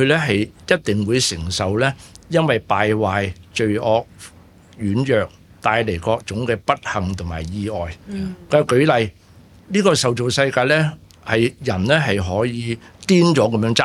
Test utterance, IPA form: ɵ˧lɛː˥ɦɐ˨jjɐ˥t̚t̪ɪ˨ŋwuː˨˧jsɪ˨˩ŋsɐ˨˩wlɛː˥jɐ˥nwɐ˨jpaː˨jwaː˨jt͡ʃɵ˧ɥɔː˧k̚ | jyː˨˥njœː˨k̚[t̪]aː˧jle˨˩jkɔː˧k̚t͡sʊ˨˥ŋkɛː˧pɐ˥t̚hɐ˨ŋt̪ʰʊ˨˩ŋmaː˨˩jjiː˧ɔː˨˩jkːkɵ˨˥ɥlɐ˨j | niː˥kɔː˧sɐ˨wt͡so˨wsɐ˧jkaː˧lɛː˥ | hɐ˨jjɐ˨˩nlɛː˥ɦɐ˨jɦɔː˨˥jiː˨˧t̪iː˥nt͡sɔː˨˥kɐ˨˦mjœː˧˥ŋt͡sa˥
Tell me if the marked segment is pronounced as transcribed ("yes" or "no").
yes